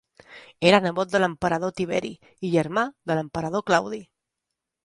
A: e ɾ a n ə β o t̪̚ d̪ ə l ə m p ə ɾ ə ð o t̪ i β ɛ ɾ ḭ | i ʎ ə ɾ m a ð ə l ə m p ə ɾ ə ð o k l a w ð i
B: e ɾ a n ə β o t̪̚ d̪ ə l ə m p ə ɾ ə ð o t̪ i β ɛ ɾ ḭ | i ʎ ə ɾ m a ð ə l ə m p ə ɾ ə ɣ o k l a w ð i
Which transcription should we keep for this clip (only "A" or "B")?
A